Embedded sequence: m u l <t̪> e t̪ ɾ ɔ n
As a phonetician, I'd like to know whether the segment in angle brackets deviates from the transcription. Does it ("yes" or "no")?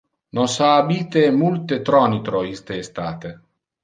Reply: no